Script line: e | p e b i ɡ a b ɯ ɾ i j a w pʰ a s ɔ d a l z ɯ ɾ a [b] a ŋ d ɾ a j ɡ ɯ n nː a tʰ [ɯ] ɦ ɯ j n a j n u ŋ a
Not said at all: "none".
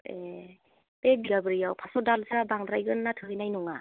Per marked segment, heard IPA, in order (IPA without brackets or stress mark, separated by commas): b, ɯ